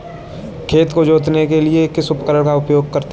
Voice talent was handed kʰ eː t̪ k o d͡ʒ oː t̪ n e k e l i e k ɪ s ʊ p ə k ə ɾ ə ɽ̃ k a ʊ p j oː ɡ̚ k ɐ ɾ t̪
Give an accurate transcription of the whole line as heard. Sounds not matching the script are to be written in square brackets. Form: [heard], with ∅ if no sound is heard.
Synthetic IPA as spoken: kʰ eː t̪ k o d͡ʒ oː t̪ n e k e l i e k ɪ s ʊ p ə k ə ɾ ə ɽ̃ k a ʊ p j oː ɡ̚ k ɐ ɾ t̪